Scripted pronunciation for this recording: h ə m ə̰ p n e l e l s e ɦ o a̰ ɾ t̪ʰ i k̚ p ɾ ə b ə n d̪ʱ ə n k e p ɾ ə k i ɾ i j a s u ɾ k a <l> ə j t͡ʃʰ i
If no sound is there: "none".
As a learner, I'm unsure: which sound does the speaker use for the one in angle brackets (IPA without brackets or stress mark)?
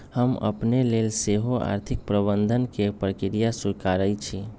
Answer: ɾ